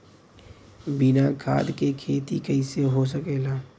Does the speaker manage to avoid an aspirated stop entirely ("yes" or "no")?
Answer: no